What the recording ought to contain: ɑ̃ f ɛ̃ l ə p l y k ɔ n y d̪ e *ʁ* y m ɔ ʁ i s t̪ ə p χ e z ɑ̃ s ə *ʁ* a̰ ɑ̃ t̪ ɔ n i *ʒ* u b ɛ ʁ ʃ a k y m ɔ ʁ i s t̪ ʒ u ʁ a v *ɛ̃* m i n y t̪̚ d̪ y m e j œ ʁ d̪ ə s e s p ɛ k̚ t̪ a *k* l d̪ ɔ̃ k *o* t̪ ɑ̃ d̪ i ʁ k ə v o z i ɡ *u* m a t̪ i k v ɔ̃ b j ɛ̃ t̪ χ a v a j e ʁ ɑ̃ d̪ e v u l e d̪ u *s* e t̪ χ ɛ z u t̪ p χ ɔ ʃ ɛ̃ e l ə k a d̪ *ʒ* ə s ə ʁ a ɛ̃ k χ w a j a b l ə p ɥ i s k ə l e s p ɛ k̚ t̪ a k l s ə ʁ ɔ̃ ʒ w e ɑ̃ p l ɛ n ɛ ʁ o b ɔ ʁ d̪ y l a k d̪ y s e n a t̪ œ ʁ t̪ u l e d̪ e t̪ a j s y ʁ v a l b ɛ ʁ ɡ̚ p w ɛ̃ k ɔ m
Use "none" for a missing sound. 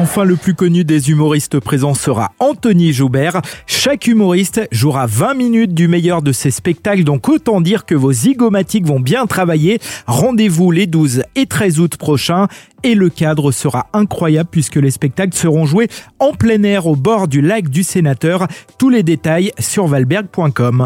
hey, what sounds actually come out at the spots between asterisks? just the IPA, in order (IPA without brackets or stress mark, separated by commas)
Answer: z, ʁ, ʒ, ɛ̃, k, o, ɔ, z, ʁ